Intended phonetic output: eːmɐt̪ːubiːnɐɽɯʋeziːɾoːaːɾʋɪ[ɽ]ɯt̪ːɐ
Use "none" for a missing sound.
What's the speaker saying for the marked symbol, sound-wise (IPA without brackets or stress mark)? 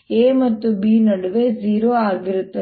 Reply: ɾ